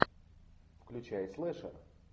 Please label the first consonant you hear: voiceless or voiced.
voiceless